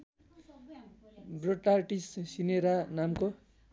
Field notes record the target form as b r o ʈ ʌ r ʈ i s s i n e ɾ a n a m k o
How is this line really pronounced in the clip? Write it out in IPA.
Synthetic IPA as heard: b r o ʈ a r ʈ i s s i n e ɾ a n a m k o